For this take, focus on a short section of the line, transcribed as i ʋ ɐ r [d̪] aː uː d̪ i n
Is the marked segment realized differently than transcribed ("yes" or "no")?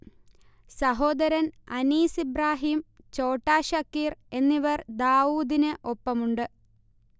no